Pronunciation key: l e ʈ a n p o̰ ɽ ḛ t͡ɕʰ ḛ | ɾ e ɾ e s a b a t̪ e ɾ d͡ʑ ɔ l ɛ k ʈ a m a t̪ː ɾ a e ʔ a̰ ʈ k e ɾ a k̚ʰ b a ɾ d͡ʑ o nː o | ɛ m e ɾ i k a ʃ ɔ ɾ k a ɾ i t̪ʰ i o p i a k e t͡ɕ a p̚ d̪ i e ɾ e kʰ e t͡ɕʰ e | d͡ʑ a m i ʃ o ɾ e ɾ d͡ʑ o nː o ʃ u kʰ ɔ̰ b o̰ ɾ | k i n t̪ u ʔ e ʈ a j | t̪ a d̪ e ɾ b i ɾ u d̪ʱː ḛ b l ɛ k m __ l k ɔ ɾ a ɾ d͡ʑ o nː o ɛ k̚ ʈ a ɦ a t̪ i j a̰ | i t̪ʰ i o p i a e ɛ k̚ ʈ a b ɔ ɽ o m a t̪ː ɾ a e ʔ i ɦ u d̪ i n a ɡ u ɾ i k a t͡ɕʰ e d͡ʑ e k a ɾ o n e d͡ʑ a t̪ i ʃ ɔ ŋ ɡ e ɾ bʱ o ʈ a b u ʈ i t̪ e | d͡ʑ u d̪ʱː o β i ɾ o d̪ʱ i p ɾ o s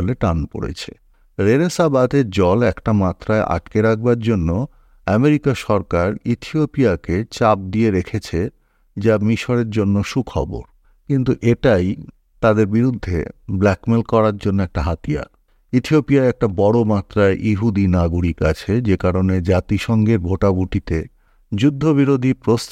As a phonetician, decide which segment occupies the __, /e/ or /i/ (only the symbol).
e